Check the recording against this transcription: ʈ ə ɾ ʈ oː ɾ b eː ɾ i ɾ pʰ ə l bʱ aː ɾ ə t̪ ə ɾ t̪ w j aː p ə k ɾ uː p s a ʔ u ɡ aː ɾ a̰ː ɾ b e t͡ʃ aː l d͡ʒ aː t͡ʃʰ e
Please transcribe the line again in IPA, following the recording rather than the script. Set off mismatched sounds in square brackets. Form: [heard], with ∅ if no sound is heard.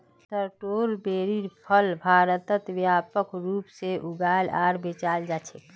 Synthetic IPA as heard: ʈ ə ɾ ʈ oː ɾ b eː ɾ i ɾ pʰ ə l bʱ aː ɾ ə t̪ ə [∅] t̪ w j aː p ə k ɾ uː p s [e] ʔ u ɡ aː [l] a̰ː ɾ b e t͡ʃ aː l d͡ʒ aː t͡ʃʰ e